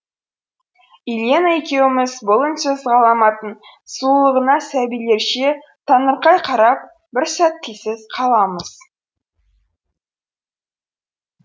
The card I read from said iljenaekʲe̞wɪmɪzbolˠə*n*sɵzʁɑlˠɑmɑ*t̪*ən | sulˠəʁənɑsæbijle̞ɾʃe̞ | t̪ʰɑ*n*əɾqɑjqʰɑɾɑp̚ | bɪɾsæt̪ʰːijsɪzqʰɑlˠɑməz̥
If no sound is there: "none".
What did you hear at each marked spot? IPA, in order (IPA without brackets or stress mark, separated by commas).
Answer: n, t̪, n